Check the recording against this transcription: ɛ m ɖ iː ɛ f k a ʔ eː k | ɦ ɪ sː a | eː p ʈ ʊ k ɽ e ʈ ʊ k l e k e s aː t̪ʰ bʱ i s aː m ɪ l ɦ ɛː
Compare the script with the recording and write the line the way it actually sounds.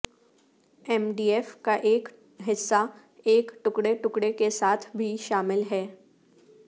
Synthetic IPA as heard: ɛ m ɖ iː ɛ f k a ʔ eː k | ɦ ɪ sː a | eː k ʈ ʊ k ɽ e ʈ ʊ k ɽ e k e s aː t̪ʰ bʱ i ʃ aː m ɪ l ɦ ɛː